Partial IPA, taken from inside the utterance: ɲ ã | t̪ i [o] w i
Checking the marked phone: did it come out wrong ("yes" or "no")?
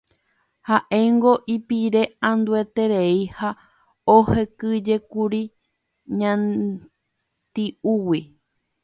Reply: yes